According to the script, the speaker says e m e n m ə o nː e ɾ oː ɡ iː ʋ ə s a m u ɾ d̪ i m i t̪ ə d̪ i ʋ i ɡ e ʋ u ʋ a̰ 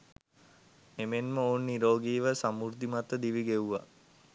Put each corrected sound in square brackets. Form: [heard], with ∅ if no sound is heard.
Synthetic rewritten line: e m e n m ə o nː [i] ɾ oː ɡ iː ʋ ə s a m u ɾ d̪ i m [a] t̪ ə d̪ i ʋ i ɡ e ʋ u ʋ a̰